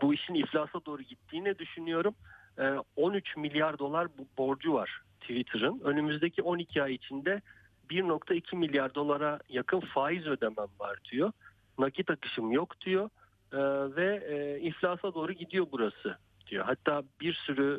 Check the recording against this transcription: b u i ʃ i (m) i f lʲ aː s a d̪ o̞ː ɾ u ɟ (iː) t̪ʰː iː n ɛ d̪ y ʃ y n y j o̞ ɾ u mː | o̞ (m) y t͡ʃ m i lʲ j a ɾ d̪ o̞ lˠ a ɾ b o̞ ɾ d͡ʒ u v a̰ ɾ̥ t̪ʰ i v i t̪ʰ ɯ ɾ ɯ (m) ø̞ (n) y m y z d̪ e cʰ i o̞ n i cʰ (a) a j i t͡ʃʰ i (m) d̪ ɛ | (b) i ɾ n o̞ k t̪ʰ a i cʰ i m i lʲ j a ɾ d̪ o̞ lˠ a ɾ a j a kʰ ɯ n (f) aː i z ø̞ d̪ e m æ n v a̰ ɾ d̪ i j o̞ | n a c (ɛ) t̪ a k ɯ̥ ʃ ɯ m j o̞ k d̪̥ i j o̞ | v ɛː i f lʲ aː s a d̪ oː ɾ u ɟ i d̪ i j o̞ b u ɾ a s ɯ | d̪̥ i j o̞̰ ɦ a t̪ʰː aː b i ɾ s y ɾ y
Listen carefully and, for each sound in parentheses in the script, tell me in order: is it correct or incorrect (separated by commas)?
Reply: incorrect, incorrect, incorrect, incorrect, correct, incorrect, incorrect, correct, correct, incorrect